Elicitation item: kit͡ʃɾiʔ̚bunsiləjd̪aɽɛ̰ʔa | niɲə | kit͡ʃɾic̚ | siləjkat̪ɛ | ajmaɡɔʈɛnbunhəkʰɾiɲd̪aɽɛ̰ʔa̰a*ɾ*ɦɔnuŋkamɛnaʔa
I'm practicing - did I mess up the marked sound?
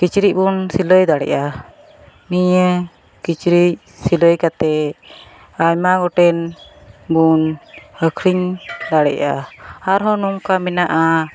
no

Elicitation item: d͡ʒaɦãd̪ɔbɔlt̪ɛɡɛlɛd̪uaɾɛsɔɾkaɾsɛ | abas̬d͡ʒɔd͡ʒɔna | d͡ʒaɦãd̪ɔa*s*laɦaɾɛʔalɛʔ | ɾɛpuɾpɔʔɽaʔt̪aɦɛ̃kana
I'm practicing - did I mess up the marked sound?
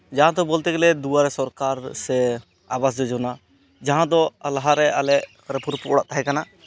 yes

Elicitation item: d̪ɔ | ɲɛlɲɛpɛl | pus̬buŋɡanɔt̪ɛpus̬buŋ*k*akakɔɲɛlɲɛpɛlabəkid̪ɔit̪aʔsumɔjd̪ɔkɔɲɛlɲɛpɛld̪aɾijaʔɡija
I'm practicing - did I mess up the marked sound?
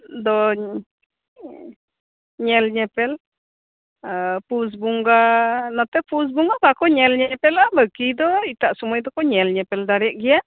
yes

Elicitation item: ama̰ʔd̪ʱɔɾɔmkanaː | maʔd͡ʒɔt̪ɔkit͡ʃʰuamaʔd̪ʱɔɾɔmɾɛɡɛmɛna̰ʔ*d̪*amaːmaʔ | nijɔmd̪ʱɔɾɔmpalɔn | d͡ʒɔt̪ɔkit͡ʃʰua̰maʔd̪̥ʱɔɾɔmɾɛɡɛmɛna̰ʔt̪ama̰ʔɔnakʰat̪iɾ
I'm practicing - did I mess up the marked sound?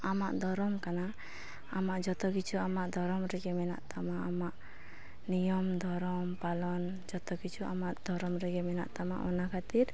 yes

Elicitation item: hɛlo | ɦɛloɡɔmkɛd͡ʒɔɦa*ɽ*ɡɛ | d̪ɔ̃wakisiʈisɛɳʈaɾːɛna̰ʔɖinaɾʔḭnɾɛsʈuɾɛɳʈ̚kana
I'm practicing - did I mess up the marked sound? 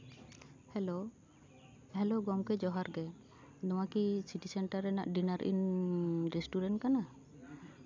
yes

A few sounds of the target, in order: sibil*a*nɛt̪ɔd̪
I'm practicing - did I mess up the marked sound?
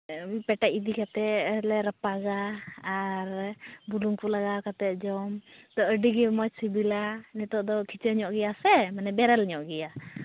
no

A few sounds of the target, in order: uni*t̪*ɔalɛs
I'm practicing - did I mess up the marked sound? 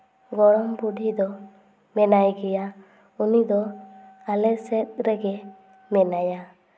yes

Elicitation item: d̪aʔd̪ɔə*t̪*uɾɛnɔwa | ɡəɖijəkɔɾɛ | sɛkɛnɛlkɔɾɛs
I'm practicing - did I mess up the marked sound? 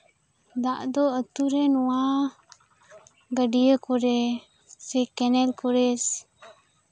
no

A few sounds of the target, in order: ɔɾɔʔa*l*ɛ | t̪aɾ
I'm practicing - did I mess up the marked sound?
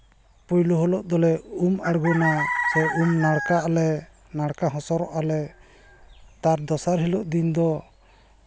no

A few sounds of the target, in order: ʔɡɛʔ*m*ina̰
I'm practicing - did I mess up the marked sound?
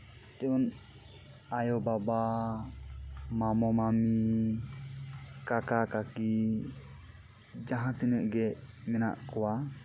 no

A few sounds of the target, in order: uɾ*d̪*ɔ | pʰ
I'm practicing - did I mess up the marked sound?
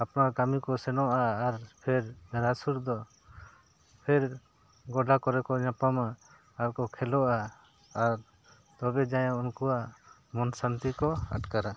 no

